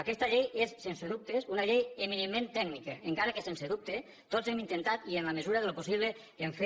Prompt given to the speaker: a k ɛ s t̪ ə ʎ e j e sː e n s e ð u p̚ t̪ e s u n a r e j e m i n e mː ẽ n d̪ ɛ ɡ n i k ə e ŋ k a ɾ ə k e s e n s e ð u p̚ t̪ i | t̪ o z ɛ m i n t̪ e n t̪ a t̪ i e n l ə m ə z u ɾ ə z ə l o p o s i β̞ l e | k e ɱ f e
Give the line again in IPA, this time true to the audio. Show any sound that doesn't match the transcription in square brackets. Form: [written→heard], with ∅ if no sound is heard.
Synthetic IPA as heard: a k ɛ s t̪ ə ʎ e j e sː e n s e ð u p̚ t̪ e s u n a [r→ʎ] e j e m i n e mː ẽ n [d̪→t̪] ɛ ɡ n i k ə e ŋ k a ɾ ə k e s e n s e ð u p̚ t̪ [i→e] | t̪ o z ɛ m i n t̪ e n t̪ a t̪ i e n l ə m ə z u ɾ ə [z→ð] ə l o p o s i β̞ l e | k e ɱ f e